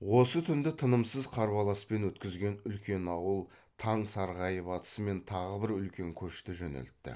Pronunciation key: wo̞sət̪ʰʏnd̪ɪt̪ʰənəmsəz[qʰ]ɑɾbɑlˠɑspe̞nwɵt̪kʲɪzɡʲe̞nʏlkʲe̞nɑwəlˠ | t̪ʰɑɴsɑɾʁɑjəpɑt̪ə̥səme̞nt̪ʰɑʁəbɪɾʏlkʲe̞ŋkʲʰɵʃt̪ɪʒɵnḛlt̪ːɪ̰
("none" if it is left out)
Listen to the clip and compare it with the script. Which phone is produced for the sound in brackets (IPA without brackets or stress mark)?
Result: qʰ